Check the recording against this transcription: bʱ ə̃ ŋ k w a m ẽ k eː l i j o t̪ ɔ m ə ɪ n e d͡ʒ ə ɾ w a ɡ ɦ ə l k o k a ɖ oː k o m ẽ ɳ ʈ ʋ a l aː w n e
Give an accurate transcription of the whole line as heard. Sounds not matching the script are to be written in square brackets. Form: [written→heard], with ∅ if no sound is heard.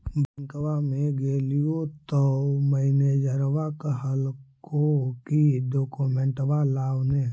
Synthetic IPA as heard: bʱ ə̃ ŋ k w a m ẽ [k→ɡ] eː l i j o t̪ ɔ m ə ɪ n e d͡ʒ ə ɾ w a [ɡ→k] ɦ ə l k o k [a→i] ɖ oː k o m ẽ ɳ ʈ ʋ a l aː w n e